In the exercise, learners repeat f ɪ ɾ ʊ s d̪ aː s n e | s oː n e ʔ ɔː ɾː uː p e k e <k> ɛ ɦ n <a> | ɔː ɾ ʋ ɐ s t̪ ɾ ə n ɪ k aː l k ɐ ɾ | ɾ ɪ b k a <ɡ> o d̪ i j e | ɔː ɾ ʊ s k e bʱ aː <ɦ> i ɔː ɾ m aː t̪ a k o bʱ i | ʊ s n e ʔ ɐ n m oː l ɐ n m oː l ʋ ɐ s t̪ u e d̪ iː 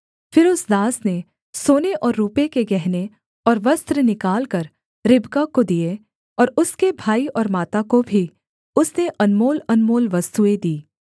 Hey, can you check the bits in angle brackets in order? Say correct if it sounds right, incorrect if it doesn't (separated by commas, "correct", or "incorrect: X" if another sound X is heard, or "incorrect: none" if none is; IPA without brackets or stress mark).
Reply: incorrect: ɡ, incorrect: e, incorrect: k, incorrect: none